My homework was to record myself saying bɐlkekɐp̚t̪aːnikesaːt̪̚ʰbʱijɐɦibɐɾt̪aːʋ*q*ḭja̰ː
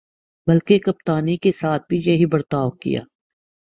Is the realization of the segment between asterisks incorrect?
yes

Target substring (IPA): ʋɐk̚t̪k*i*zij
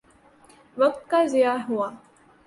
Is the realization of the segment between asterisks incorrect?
yes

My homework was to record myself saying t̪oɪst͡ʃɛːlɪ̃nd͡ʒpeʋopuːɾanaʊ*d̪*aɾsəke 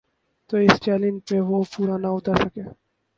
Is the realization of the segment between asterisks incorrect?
yes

